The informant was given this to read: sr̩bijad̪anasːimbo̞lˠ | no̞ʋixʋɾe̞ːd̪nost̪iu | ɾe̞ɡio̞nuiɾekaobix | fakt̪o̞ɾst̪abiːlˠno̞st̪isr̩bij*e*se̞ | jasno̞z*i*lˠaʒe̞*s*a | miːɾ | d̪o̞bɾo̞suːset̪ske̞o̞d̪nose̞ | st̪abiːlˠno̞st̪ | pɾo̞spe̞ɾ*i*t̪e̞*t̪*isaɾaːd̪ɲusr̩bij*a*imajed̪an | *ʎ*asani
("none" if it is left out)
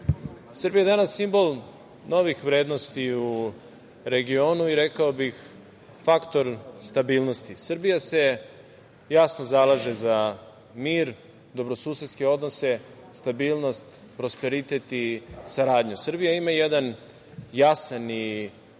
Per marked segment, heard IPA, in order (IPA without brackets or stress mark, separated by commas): a, a, z, i, t̪, a, j